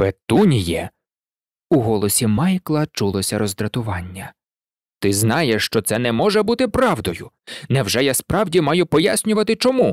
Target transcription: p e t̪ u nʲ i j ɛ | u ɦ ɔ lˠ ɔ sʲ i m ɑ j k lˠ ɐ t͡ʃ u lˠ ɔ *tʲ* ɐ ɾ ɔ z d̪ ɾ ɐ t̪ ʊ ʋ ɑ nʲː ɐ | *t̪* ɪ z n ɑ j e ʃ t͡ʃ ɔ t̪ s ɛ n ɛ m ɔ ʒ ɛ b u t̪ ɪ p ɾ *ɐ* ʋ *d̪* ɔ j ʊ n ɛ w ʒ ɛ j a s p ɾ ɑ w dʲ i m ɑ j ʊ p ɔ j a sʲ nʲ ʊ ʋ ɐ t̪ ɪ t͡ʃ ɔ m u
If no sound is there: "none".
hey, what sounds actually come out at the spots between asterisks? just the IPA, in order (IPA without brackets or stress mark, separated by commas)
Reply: sʲ, t̪, ɑ, d̪